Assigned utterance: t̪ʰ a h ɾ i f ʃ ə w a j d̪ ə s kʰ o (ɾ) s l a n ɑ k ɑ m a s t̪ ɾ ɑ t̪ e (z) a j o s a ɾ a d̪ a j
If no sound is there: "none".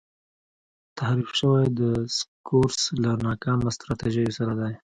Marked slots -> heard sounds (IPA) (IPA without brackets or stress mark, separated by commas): ɾ, ʒ